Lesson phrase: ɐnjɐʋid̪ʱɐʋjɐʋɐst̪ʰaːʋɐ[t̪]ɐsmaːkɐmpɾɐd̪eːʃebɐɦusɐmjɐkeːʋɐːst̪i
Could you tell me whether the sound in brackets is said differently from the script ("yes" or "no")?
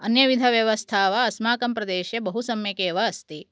yes